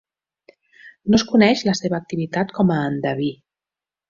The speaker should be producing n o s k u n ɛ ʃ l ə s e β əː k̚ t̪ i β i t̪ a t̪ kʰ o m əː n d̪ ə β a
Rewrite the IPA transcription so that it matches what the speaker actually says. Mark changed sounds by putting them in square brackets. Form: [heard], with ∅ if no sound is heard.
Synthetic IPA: n o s k u n ɛ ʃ l ə s e β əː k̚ t̪ i β i t̪ a t̪ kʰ [ɔ] m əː n d̪ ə β [i]